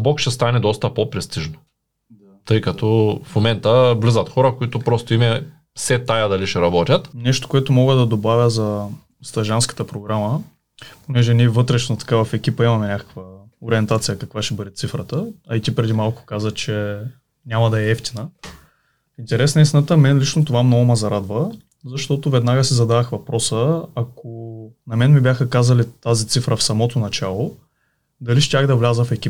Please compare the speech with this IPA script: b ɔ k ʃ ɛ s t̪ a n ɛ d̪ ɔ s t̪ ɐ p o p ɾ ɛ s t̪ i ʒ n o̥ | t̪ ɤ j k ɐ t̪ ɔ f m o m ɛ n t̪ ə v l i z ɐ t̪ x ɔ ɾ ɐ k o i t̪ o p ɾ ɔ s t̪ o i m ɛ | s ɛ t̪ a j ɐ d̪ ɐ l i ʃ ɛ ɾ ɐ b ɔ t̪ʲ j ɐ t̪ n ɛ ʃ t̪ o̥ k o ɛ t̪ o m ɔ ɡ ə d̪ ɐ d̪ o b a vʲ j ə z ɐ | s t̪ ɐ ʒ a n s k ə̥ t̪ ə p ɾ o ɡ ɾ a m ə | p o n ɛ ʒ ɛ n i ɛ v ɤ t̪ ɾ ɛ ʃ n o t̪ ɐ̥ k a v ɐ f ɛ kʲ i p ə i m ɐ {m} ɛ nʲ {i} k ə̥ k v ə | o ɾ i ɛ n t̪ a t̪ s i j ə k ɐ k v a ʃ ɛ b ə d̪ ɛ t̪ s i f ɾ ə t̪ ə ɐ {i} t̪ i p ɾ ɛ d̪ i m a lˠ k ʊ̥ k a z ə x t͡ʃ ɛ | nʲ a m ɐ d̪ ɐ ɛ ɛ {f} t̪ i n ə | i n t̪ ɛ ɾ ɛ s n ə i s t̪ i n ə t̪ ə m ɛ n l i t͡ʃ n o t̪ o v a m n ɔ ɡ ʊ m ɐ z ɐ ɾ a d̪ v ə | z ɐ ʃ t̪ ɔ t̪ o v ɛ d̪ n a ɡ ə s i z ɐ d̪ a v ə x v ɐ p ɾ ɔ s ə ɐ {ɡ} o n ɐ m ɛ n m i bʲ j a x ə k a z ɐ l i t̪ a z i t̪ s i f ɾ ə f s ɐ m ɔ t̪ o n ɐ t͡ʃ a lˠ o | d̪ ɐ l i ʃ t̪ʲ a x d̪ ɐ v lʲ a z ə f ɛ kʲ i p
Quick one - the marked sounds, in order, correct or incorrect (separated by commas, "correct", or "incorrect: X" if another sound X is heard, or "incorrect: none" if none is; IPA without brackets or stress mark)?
correct, incorrect: a, correct, correct, incorrect: k